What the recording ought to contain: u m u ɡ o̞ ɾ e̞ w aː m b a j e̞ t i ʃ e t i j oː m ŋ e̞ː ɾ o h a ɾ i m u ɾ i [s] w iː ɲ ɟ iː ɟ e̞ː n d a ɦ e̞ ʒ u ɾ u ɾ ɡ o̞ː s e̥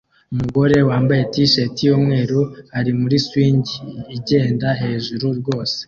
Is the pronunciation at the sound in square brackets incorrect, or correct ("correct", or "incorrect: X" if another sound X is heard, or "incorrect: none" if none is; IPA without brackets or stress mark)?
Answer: correct